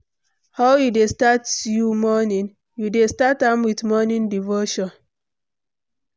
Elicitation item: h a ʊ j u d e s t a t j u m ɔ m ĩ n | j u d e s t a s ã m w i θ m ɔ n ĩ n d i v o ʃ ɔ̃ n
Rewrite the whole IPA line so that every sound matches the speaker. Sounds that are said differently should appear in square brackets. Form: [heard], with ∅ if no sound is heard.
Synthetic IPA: h a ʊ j u d e s t a t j u m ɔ [n] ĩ n | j u d e s t a [t] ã m w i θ m ɔ n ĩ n d i v o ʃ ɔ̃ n